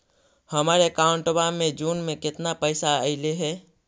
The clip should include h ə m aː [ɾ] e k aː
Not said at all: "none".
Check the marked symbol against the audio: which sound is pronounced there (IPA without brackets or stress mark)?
ɾ